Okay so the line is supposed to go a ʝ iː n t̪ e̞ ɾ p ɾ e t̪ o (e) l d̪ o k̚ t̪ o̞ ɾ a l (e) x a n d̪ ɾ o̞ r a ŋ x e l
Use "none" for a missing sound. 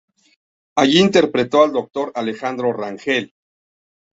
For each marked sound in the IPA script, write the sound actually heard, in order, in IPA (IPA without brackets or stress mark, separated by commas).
a, e